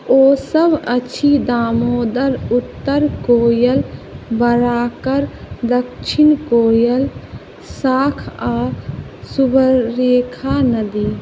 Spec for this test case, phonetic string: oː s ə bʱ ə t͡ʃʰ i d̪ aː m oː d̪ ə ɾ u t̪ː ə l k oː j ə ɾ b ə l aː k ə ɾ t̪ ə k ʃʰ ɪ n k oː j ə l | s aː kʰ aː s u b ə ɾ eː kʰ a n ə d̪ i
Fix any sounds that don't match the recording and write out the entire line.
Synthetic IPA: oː s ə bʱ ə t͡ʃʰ i d̪ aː m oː d̪ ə ɾ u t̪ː ə ɾ k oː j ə l b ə ɾ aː k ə ɾ d̪ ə k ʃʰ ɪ n k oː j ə l | s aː kʰ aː s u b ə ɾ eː kʰ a n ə d̪ i